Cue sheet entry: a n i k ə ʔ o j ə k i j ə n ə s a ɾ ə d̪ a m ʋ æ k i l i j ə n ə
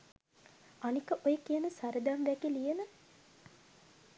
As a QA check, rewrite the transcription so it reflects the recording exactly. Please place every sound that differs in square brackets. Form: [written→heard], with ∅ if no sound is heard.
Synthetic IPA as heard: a n i k ə ʔ o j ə k i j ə n ə s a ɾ ə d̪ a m ʋ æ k i l i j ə n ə